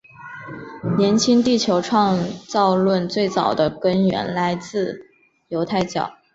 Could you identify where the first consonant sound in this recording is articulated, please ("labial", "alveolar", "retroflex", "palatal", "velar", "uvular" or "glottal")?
alveolar